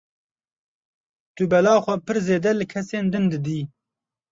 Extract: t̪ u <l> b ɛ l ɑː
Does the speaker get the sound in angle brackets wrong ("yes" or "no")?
yes